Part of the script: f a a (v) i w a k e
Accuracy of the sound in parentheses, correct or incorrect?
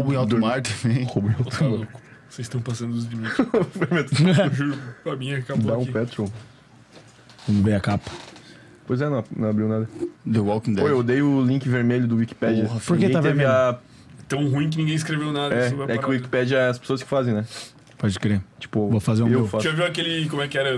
correct